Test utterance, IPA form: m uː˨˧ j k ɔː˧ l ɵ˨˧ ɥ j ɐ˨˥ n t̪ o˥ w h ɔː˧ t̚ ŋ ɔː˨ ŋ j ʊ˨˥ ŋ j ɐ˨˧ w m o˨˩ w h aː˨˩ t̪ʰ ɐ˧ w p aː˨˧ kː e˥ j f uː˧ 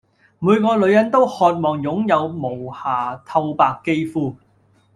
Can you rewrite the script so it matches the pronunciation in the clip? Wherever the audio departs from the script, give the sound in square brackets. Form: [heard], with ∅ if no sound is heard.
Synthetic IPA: m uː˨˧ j k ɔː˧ l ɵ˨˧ ɥ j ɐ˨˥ n t̪ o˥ w h ɔː˧ t̚ [m] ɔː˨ ŋ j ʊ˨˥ ŋ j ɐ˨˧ w m o˨˩ w h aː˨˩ t̪ʰ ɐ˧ w p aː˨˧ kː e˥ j f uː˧